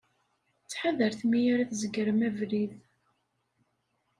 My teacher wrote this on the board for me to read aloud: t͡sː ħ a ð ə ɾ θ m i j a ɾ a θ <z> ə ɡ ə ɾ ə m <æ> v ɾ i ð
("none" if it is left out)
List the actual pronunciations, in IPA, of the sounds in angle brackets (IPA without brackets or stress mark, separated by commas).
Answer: z, æ